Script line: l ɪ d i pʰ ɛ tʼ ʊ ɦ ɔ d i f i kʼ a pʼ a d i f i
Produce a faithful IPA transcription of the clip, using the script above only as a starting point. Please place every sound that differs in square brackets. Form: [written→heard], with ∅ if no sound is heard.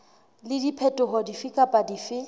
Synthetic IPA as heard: l ɪ d i pʰ ɛ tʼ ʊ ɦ ɔ d i f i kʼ a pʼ a d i f [i→ɪ]